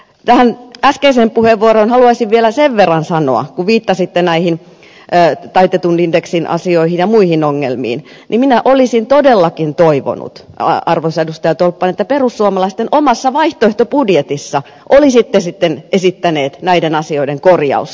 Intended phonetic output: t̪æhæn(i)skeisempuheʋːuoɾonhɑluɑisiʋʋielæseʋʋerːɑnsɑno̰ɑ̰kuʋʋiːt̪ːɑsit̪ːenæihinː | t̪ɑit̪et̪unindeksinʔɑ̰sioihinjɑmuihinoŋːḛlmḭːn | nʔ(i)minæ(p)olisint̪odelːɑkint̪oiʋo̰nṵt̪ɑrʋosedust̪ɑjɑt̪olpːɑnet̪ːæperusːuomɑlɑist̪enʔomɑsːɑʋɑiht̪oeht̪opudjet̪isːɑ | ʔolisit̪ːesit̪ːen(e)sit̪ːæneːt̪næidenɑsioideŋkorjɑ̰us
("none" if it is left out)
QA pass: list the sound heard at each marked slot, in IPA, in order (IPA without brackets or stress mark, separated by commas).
æ, i, ʔ, e